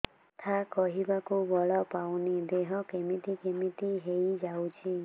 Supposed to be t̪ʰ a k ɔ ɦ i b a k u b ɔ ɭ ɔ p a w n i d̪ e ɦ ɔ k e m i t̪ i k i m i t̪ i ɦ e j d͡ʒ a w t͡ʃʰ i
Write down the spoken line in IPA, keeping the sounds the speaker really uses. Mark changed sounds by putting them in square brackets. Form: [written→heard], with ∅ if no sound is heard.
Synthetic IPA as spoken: t̪ʰ a k ɔ ɦ i b a k u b ɔ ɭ ɔ p a w n i d̪ e ɦ ɔ k e m i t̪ i k [i→e] m i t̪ i ɦ e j d͡ʒ a w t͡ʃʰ i